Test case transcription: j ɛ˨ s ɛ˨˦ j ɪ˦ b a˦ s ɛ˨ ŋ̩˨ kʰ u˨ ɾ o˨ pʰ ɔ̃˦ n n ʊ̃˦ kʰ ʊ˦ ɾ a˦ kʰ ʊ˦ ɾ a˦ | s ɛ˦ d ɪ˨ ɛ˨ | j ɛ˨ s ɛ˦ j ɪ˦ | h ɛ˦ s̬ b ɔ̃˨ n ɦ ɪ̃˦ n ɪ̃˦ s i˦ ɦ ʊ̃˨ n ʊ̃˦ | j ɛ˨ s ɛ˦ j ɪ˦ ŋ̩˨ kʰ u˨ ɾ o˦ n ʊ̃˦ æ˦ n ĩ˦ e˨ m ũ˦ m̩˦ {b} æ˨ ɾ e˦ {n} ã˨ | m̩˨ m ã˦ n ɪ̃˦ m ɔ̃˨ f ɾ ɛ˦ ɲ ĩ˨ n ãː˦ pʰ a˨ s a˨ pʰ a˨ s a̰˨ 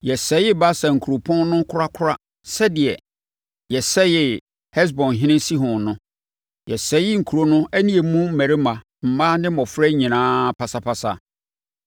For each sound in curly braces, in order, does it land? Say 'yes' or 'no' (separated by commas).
no, no